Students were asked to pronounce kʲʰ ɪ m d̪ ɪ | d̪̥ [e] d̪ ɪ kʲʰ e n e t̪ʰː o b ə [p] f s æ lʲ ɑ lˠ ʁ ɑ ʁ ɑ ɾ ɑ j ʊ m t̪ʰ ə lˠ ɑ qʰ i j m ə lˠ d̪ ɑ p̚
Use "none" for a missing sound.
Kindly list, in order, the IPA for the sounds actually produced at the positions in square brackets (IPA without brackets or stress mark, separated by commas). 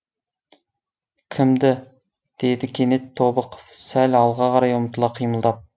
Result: e, q